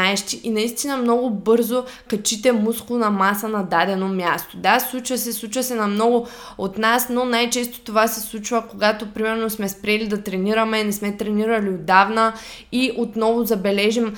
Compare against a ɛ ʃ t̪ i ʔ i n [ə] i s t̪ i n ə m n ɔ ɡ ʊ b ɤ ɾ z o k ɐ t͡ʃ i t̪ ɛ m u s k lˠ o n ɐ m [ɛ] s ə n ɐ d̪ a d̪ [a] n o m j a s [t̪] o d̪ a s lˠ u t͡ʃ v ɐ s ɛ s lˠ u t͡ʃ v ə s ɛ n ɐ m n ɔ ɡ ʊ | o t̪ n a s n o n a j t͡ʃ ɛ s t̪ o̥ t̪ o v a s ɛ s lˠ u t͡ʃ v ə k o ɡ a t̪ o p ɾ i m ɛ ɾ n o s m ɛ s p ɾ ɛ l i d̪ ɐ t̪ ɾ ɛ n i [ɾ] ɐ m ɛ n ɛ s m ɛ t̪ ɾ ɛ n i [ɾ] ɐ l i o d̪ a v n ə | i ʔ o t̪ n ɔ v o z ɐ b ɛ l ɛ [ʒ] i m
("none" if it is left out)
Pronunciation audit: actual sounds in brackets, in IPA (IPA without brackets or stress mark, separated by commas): ɐ, a, ɛ, t̪, ɾ, ɾ, ʒ